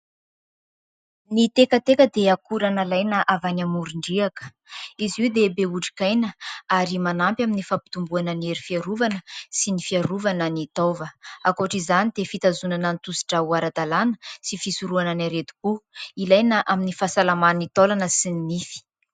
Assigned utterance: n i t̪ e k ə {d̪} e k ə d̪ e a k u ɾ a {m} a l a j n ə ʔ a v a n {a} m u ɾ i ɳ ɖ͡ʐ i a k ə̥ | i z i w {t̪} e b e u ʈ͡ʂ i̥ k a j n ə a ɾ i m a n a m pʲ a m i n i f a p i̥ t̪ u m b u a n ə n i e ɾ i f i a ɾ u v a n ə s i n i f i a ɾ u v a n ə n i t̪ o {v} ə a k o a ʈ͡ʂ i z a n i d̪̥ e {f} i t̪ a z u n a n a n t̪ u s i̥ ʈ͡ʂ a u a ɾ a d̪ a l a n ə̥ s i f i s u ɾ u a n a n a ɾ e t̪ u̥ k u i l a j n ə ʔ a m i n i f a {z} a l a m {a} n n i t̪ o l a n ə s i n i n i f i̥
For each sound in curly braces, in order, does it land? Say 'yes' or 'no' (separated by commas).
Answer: no, no, yes, no, yes, yes, no, yes